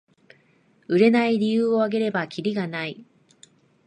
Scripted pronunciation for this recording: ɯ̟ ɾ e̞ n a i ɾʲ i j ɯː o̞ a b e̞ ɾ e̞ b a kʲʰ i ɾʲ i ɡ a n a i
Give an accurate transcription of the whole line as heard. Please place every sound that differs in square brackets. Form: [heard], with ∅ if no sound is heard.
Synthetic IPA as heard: ɯ̟ ɾ e̞ n a i ɾʲ i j ɯː o̞ a [ɡ] e̞ ɾ e̞ b a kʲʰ i ɾʲ i ɡ a n a i